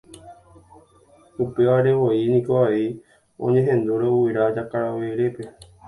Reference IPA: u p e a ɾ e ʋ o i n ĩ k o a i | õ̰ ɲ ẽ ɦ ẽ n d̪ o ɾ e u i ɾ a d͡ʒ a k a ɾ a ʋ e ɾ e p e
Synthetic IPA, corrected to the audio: u p e a ɾ e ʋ o i n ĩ k o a i | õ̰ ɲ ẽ ɦ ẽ n d̪ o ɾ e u i ɾ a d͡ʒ a k a ɾ a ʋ e ɾ e p e